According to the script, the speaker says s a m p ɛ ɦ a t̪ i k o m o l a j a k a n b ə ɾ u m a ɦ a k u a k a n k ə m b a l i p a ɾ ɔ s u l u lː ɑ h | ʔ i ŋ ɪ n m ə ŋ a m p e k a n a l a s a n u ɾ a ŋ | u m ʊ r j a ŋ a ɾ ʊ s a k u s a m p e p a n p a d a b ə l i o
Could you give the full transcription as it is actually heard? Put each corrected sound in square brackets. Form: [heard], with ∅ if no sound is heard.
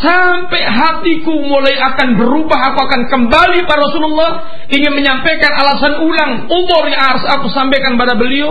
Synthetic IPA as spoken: s a m p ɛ ɦ a t̪ i k [u] m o l a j a k a n b ə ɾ u [b] a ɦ a k u a k a n k ə m b a l i p a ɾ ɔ s u l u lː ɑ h | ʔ i ŋ ɪ n m ə [ɲ] a m p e k a n a l a s a n u [l] a ŋ | u m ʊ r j a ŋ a ɾ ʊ s a k u s a m p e [k] a n p a d a b ə l i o